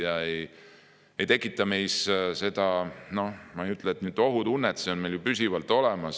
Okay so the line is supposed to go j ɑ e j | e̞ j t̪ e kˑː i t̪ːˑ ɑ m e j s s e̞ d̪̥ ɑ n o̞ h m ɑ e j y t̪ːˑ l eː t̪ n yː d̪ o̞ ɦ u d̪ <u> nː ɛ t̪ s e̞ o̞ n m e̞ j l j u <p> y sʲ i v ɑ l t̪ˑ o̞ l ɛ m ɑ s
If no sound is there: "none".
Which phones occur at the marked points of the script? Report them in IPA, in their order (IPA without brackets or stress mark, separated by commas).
u, p